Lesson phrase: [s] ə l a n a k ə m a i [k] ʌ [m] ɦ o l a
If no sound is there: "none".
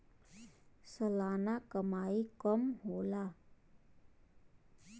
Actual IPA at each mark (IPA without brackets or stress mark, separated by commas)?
s, k, m